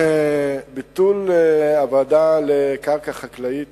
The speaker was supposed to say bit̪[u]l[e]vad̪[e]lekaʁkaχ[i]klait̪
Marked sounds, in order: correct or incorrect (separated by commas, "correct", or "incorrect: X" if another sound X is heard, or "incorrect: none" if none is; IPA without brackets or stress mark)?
correct, incorrect: a, incorrect: a, incorrect: a